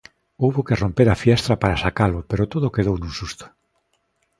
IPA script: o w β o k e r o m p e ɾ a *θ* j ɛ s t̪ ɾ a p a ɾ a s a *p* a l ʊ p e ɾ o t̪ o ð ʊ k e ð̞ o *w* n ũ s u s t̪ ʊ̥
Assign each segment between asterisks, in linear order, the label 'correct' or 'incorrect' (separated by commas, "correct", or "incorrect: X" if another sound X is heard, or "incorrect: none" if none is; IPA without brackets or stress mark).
incorrect: f, incorrect: k, correct